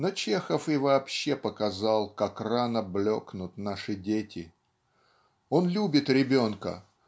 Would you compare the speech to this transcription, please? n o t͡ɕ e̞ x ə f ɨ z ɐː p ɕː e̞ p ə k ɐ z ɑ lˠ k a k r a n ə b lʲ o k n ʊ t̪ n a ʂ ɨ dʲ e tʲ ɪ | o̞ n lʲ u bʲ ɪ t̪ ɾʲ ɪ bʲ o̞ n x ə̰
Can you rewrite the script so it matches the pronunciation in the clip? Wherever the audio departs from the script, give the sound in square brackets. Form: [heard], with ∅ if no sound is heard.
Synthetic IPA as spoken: n o t͡ɕ e̞ x ə f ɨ [v] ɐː p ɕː e̞ p ə k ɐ z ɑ lˠ k a k r a n ə b lʲ o k n ʊ t̪ n a ʂ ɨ dʲ e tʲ ɪ | o̞ n lʲ u bʲ ɪ t̪ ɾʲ ɪ bʲ o̞ n [k] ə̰